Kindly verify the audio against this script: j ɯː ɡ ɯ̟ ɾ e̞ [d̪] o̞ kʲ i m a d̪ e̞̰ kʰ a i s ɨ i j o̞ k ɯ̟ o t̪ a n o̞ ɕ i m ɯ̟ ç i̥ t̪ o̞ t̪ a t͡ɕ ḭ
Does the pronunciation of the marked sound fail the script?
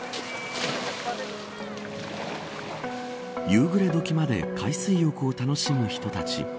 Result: no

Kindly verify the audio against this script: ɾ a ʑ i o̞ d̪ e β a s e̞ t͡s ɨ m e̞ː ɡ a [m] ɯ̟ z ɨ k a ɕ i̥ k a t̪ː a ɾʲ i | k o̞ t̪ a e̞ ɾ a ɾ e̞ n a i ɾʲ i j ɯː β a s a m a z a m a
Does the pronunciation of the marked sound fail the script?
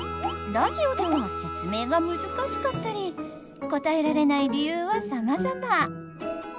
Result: no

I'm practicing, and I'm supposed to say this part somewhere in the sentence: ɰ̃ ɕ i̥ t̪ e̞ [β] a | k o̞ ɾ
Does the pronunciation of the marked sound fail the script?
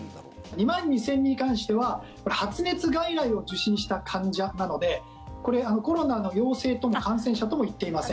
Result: no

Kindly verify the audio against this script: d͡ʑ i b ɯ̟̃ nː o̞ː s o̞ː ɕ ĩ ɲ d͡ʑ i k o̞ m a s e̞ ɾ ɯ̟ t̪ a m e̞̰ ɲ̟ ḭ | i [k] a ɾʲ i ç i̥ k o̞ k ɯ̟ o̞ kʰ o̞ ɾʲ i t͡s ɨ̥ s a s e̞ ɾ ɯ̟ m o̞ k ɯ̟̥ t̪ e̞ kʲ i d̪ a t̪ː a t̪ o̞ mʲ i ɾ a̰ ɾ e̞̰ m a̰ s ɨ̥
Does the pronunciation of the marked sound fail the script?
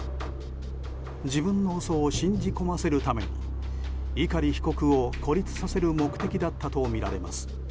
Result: no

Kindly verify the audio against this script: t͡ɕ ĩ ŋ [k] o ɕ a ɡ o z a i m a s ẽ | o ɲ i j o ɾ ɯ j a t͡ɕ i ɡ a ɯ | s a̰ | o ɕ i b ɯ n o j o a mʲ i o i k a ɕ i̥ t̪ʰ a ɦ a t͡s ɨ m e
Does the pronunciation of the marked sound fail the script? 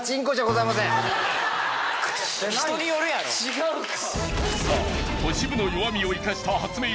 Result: no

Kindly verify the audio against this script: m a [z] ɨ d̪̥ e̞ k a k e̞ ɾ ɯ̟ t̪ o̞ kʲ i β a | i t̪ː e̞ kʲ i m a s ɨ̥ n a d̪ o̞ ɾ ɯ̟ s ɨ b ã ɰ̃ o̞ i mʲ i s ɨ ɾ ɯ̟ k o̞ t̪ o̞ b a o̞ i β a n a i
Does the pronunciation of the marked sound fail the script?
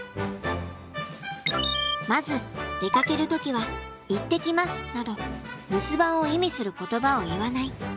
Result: no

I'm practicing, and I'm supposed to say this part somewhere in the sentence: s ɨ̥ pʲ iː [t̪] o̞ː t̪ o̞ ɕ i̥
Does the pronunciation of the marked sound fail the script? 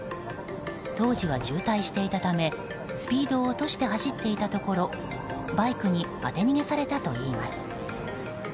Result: yes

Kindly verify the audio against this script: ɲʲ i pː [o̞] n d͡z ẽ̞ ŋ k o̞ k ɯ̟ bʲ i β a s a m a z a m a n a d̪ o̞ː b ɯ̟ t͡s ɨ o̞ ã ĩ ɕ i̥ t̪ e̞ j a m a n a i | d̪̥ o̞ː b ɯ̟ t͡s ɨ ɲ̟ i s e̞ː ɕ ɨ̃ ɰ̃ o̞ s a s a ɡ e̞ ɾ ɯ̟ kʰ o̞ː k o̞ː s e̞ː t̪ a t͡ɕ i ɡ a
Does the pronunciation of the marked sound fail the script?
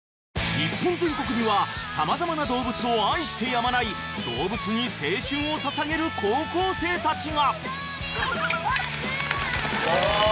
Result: yes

